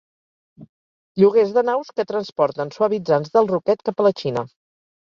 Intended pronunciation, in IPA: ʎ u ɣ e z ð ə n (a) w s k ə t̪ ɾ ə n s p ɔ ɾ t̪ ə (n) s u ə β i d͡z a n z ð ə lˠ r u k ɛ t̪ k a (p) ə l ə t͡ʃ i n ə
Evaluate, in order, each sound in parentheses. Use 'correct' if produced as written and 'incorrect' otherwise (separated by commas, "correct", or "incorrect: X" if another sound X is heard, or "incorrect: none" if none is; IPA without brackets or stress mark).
correct, correct, correct